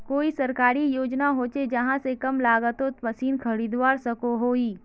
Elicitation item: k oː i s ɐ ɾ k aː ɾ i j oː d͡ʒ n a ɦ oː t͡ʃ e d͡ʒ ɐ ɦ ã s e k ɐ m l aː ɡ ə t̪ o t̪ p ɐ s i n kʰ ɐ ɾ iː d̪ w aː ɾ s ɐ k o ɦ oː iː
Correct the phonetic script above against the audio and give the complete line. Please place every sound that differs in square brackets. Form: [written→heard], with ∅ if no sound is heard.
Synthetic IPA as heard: k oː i s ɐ ɾ k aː ɾ i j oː d͡ʒ n a ɦ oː t͡ʃ e d͡ʒ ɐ ɦ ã s e k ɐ m l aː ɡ ə t̪ o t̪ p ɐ s [i→iː] n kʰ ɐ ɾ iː d̪ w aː ɾ s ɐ k o ɦ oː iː